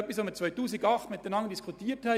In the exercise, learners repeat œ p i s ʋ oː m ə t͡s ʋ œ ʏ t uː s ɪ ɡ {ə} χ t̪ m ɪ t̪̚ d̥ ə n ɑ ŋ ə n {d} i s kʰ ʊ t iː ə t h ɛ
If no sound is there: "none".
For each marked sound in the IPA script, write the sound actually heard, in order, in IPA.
ɑ, d

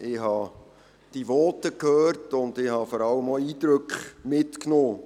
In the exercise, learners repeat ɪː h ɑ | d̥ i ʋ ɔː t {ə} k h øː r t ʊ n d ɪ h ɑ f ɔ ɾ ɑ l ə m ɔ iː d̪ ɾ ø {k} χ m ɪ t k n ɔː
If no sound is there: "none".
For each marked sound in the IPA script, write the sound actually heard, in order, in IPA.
ə, k

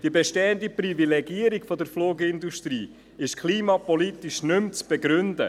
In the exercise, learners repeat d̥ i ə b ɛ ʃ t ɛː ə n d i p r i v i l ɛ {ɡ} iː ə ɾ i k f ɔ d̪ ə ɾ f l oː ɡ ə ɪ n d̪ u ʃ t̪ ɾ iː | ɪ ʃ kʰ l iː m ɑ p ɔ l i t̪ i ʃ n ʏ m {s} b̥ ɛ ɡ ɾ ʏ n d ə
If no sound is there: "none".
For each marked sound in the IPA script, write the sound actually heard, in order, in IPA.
ɡ, t͡s

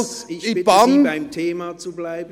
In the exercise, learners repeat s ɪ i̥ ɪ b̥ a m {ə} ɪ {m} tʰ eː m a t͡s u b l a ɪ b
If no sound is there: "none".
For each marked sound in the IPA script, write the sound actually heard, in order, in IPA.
a, m

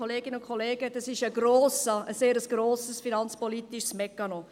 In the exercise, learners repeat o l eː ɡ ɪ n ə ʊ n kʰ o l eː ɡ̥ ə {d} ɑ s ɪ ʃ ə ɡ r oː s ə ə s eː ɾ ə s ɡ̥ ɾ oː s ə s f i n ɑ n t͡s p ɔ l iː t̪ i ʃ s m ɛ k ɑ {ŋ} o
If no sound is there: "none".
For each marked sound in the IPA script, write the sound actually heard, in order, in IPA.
d, n

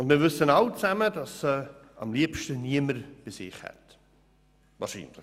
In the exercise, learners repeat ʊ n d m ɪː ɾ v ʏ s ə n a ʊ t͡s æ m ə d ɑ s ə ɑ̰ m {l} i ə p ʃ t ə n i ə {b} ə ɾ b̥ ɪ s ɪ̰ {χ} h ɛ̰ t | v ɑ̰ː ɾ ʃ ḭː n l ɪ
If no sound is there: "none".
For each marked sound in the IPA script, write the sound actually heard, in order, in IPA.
l, m, χ

